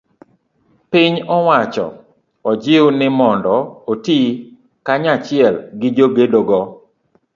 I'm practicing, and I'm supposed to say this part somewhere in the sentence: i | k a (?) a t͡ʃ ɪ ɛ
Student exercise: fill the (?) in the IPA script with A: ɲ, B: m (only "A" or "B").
A